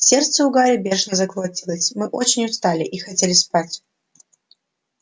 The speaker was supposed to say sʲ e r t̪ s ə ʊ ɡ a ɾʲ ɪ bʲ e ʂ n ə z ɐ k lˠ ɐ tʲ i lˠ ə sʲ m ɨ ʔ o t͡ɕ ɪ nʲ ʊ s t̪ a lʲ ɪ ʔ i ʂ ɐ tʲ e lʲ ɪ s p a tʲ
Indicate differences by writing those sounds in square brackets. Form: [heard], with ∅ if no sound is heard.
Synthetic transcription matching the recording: sʲ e r t̪ s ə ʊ ɡ a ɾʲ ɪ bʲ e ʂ n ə z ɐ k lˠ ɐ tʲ i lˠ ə sʲ m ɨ ʔ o t͡ɕ ɪ nʲ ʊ s t̪ a lʲ ɪ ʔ i [x] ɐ tʲ e lʲ ɪ s p a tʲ